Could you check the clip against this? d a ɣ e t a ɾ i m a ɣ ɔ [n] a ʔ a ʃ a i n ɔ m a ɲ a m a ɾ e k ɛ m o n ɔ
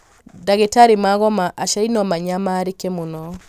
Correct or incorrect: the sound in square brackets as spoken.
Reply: incorrect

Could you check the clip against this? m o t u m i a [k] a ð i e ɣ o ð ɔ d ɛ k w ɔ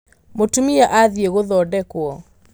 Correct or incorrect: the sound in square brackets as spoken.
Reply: incorrect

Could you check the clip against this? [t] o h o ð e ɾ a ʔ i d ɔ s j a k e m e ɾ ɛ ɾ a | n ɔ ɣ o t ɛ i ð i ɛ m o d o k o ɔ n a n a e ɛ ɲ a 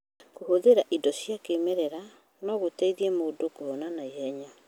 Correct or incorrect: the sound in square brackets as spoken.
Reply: incorrect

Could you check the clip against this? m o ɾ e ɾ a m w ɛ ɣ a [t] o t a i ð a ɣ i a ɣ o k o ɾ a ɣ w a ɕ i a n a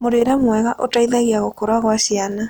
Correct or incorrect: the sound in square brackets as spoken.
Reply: incorrect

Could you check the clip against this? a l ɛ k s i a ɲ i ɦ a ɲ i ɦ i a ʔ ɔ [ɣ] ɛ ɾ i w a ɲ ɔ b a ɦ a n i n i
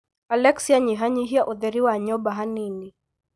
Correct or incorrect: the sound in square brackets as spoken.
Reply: incorrect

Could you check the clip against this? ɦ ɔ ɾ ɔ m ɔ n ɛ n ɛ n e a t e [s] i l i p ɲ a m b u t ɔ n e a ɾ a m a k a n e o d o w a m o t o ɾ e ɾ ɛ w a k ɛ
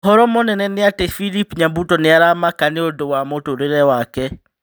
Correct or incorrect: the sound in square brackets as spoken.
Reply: incorrect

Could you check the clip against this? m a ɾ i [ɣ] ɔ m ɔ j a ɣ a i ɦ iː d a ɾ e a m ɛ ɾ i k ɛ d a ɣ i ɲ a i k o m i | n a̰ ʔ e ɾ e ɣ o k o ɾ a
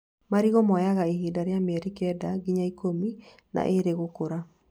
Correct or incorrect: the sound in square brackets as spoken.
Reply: correct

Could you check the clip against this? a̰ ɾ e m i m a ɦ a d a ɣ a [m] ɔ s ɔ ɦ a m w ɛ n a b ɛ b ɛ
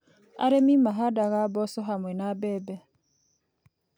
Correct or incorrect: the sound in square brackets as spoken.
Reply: incorrect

